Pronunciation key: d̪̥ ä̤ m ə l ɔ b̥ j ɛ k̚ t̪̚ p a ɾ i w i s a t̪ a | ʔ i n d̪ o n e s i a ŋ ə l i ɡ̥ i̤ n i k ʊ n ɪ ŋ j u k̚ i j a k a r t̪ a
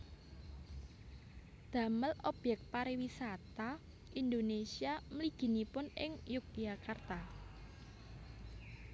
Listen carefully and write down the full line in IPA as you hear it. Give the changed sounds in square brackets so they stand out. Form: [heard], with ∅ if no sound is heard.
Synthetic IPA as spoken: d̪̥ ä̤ m ə l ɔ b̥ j ɛ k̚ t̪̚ p a ɾ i w i s a t̪ a | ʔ i n d̪ o n e s i a [m] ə l i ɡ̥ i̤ n i [p] ʊ n ɪ ŋ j u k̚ i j a k a r t̪ a